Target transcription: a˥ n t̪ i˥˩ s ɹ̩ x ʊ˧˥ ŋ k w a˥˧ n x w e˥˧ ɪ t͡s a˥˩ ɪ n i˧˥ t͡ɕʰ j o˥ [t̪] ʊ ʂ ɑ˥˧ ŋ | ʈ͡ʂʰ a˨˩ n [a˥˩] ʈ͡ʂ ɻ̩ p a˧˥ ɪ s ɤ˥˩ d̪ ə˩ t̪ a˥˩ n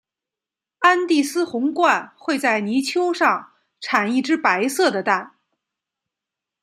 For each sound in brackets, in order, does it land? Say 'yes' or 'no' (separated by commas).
no, no